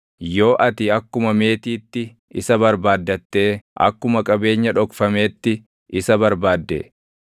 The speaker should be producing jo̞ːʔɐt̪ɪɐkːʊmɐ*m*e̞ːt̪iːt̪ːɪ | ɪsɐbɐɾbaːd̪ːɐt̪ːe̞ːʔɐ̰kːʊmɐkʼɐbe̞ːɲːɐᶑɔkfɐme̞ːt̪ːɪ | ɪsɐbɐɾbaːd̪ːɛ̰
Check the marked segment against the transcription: correct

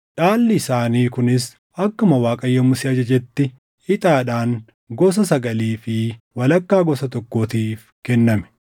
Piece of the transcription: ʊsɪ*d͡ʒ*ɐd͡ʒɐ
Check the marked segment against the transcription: incorrect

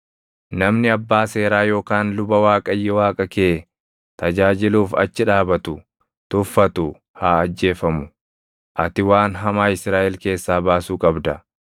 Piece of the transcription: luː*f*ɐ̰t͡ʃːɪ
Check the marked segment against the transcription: correct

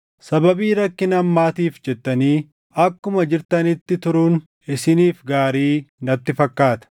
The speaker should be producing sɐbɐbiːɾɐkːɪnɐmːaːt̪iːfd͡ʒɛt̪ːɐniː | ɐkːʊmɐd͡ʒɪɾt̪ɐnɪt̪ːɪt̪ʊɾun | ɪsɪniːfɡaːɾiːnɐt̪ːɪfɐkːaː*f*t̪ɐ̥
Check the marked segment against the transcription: incorrect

